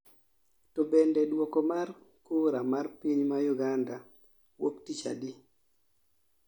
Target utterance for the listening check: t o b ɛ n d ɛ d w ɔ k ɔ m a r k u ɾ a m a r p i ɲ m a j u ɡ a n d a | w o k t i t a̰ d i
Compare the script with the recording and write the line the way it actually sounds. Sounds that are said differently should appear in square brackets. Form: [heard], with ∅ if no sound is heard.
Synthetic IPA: t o b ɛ n d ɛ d w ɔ k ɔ m a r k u ɾ a m a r p i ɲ m a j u ɡ a n d a | w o k t i [t͡ʃ] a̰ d i